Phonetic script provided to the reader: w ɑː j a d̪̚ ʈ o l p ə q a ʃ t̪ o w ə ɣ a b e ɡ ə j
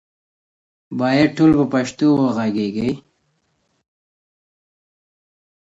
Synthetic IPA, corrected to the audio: b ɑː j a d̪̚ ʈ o l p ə p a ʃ t̪ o w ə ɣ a ɡ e ɡ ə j